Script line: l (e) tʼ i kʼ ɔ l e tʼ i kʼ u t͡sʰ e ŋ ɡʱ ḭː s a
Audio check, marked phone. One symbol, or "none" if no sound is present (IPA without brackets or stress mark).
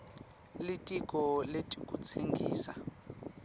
i